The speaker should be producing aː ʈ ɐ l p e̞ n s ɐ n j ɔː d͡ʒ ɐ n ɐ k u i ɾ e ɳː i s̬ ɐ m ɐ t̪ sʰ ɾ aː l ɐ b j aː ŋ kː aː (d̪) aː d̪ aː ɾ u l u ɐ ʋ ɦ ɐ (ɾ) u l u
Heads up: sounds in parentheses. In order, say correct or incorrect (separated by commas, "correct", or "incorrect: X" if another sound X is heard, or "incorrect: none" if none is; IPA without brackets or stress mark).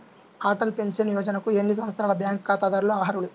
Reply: incorrect: t̪, correct